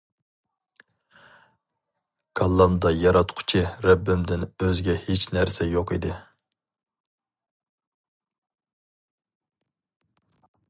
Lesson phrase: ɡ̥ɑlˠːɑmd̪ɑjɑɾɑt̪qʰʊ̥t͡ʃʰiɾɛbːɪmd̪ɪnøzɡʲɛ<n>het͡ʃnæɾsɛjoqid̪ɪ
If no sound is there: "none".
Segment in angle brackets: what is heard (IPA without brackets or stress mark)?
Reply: none